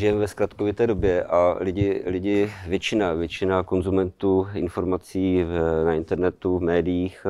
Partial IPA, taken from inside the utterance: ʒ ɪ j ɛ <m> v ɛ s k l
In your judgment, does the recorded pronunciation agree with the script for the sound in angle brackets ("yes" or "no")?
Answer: yes